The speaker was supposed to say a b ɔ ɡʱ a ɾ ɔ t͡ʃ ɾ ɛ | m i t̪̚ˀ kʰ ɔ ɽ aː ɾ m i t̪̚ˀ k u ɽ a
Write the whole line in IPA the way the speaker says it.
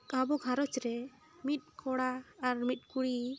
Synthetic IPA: a b ɔ ɡʱ a ɾ ɔ t͡ʃ ɾ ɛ | m i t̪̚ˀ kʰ ɔ ɽ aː ɾ m i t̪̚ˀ k u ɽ i